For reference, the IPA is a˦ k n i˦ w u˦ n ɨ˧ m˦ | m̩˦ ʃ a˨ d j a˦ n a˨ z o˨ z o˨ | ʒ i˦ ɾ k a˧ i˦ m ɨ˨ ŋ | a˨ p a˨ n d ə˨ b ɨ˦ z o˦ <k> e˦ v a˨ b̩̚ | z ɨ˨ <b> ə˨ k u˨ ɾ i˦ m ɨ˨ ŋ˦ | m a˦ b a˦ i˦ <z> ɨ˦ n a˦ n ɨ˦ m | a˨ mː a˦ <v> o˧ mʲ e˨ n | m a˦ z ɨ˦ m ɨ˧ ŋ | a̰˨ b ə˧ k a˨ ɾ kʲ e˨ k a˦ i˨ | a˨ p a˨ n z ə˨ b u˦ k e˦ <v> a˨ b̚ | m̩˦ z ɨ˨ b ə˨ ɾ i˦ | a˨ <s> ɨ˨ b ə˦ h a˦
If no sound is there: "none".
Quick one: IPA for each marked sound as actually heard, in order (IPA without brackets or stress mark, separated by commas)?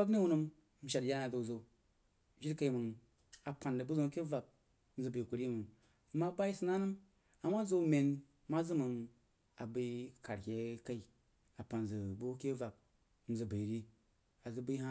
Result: k, b, s, z, v, z